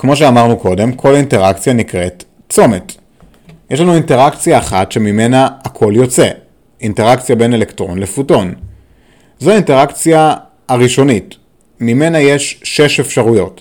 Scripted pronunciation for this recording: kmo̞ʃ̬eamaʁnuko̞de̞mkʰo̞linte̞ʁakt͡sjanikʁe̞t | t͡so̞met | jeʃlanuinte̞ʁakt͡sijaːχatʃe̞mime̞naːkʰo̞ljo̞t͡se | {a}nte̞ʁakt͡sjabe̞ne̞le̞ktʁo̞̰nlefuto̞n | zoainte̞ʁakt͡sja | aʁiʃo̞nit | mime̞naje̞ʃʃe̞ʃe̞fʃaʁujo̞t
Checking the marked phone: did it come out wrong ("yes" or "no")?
yes